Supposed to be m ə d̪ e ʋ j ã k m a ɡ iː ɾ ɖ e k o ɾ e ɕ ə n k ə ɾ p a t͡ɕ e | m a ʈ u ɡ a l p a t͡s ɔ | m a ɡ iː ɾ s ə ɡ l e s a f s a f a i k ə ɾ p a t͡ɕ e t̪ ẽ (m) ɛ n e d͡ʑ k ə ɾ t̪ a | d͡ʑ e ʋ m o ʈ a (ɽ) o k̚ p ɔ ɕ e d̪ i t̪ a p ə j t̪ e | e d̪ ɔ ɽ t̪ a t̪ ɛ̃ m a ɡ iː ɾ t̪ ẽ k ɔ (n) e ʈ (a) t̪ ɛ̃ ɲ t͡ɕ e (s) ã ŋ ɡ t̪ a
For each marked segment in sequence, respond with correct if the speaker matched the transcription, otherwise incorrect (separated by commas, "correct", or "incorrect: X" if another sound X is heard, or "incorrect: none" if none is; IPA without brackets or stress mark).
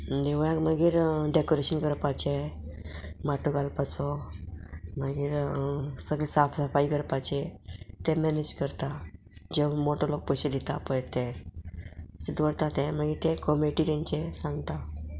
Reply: correct, incorrect: l, incorrect: m, incorrect: i, correct